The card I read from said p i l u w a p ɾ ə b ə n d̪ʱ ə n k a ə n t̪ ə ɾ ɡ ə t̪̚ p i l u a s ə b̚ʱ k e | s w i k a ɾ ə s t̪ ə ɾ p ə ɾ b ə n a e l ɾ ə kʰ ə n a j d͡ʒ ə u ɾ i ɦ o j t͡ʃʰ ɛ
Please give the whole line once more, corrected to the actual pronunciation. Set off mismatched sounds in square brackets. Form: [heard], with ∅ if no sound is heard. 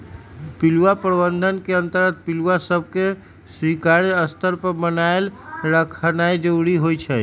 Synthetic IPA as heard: p i l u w a p ɾ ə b ə n d̪ʱ ə n k [e] ə n t̪ ə ɾ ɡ ə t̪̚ p i l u a s ə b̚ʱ k e | s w i k a ɾ ə s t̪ ə ɾ p ə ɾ b ə n a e l ɾ ə kʰ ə n a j d͡ʒ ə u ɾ i ɦ o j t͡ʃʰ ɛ